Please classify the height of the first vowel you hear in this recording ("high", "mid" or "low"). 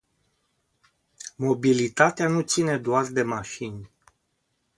mid